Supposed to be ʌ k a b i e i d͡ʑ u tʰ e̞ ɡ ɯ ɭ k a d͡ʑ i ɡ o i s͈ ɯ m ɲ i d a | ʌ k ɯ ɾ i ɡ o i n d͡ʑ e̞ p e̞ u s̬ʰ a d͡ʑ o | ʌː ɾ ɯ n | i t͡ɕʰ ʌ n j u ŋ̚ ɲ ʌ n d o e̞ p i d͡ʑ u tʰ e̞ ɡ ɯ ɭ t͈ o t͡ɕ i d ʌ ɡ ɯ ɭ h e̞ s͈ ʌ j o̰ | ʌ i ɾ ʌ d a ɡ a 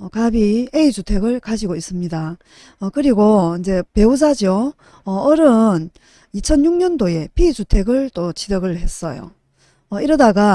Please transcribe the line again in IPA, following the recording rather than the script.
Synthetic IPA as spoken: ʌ k a b i e i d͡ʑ u tʰ e̞ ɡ ɯ ɭ k a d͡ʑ i ɡ o i s͈ ɯ m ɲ i d a | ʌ k ɯ ɾ i ɡ o i n d͡ʑ e̞ p e̞ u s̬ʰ a d͡ʑ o | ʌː ɾ ɯ n | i t͡ɕʰ ʌ n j u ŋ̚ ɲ ʌ n d o e̞ p i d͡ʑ u tʰ e̞ ɡ ɯ ɭ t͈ o t͡ɕ i d ʌ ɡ ɯ ɭ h e̞ s͈ ʌ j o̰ | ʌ i ɾ ʌ d a ɡ a